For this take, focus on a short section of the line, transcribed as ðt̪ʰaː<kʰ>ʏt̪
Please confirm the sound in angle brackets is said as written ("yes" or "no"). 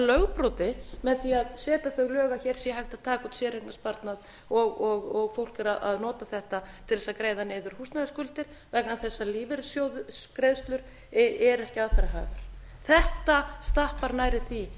no